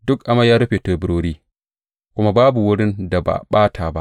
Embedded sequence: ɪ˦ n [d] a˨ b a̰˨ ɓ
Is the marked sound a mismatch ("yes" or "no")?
no